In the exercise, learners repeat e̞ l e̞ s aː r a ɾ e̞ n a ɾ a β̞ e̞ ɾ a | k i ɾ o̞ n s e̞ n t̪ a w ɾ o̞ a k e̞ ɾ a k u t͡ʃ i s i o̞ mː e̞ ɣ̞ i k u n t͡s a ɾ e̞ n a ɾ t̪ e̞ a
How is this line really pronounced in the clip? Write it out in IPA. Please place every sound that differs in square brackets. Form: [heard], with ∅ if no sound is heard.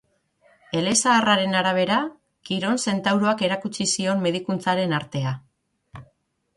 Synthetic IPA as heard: e̞ l e̞ s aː r a ɾ e̞ n a ɾ a β̞ e̞ ɾ a | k i ɾ o̞ n s e̞ n t̪ a w ɾ o̞ a k e̞ ɾ a k u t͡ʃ i s i o̞ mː e̞ [ð̞] i k u n t͡s a ɾ e̞ n a ɾ t̪ e̞ a